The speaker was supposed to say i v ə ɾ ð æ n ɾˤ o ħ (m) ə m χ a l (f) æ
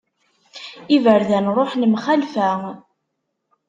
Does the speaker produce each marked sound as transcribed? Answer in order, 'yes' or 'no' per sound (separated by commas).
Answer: no, yes